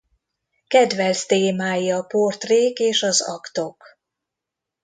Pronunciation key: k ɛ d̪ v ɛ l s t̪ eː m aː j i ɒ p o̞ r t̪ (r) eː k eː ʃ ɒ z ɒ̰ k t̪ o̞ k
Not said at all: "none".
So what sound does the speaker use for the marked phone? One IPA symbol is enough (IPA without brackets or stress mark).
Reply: r